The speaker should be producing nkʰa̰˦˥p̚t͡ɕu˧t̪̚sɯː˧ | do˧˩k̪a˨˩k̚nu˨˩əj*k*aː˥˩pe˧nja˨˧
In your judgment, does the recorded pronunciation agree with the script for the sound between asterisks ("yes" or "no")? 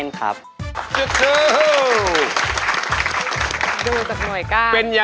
yes